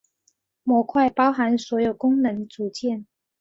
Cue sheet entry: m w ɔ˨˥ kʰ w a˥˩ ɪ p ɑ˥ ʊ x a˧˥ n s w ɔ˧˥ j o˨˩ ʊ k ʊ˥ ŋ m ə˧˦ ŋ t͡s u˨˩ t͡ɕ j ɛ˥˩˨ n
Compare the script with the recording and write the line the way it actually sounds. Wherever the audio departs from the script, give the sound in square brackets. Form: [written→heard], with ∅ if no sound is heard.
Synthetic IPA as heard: m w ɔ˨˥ kʰ w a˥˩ ɪ p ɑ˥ ʊ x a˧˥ n s w ɔ˧˥ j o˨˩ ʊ k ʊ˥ ŋ [m→n] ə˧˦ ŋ t͡s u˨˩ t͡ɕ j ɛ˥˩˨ n